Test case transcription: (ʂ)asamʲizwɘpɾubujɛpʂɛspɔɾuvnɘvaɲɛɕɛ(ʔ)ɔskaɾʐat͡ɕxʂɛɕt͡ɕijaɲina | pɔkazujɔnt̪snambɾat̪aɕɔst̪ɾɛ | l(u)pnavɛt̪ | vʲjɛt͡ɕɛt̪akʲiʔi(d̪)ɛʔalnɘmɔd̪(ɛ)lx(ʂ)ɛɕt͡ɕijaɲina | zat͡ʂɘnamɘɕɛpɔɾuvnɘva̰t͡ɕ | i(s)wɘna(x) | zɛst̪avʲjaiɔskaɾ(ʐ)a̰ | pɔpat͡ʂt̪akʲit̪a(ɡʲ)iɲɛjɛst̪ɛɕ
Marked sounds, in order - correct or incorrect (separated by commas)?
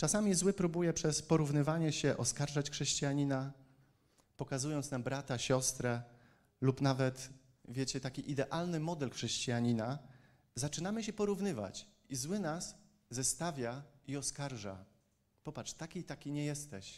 incorrect, correct, correct, correct, correct, correct, incorrect, incorrect, correct, incorrect